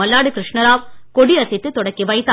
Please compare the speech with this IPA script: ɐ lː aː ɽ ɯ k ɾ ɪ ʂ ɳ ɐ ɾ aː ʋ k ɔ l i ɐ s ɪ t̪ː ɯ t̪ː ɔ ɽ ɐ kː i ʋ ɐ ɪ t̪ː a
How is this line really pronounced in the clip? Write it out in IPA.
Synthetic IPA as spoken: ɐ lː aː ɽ ɯ k ɾ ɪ ʂ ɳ ɐ ɾ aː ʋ k ɔ ɽ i ɐ s ɪ t̪ː ɯ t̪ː ɔ ɽ ɐ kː i ʋ ɐ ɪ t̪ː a